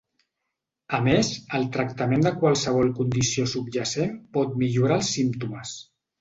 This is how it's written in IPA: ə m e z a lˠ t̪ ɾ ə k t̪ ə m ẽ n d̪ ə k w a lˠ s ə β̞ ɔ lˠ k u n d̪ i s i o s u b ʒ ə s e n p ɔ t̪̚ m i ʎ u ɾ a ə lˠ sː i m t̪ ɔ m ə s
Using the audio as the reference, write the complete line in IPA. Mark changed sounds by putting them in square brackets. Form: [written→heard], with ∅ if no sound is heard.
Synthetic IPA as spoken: ə m e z [a→ə] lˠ t̪ ɾ ə k t̪ ə m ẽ n d̪ ə k w a lˠ s ə β̞ ɔ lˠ k u n d̪ i s i o s u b ʒ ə s e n p ɔ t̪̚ m i ʎ u ɾ a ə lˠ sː i m t̪ [ɔ→u] m ə s